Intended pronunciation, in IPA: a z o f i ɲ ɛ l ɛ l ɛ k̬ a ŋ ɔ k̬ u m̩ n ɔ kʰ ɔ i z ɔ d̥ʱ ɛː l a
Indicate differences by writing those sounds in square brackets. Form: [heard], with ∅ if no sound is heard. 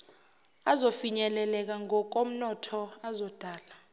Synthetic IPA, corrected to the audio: a z o f i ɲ ɛ l ɛ l ɛ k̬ a ŋ ɔ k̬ [o] m̩ n ɔ [tʰ] ɔ [a] z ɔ d̥ʱ [aː] l a